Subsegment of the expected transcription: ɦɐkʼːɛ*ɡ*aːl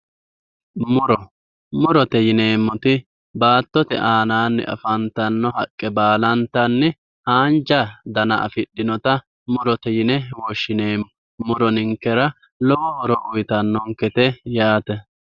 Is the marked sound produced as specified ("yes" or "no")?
no